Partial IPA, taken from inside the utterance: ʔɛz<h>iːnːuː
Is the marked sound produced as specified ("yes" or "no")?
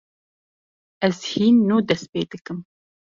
yes